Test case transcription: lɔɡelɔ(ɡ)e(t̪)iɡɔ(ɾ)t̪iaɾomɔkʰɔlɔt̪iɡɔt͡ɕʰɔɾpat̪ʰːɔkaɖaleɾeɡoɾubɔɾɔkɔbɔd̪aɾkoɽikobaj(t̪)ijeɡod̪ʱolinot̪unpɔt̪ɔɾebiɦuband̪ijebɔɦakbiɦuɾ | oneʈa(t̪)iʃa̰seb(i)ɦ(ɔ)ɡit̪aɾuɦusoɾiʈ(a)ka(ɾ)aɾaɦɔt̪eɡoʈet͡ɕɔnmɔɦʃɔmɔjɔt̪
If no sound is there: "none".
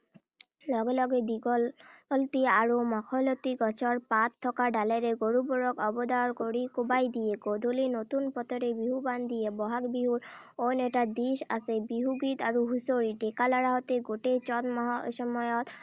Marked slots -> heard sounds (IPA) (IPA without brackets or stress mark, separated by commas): ɡ, d̪, l, d̪, d̪, i, u, e, l